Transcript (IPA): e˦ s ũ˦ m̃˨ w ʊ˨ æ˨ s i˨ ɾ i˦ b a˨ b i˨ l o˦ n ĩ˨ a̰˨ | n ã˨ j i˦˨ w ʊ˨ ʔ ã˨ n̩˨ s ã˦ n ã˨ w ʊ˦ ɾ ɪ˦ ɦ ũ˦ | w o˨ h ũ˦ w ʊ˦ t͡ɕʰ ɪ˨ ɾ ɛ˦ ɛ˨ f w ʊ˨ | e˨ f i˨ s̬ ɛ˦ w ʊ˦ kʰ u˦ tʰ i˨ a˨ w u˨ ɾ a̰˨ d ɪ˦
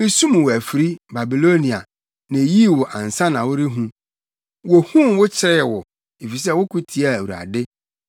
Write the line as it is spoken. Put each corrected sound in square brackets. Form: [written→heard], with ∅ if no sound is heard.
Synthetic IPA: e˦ s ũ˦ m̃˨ w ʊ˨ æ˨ [s→f] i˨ ɾ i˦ b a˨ b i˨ l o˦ n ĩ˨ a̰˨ | n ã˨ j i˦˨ w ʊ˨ ʔ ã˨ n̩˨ s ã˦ n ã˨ w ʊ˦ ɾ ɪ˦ ɦ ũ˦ | w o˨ h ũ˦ w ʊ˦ t͡ɕʰ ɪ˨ ɾ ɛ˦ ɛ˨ [f→∅] w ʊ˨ | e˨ f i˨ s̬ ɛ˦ w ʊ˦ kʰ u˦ tʰ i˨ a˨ w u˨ ɾ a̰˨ d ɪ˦